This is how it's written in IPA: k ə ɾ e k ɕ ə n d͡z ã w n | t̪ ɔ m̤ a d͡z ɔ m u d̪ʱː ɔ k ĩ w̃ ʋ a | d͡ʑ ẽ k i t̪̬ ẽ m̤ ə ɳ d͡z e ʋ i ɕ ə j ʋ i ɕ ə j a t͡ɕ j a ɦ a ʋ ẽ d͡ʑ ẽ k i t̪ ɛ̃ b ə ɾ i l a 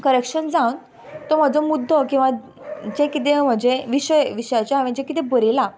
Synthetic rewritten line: k ə ɾ e k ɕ ə n d͡z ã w n | t̪ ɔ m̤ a d͡z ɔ m u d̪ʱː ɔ k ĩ w̃ ʋ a | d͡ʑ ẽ k i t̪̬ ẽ m̤ ə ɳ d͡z e ʋ i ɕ ə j ʋ i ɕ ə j a t͡ɕ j a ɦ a ʋ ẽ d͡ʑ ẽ k i t̪ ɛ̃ b ə ɾ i l a